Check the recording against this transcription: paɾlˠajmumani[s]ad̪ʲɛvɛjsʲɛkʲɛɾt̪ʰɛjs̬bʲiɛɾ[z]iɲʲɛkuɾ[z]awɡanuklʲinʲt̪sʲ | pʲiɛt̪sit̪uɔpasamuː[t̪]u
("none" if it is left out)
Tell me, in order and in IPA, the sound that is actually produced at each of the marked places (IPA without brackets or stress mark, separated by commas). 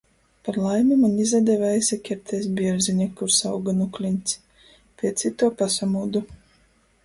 z, z, s, d̪